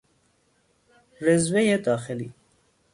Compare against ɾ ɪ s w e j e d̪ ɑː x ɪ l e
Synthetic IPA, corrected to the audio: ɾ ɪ z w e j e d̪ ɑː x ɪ l i